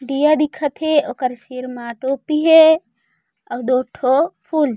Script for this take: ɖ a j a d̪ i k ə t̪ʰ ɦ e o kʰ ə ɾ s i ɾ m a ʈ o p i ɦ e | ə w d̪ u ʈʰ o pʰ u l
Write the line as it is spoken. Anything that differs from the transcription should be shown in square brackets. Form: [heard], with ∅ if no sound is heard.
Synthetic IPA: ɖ [i] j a d̪ i [kʰ] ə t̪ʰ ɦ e o [k] ə ɾ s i ɾ m a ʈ o p i ɦ e | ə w d̪ [o] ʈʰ o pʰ u l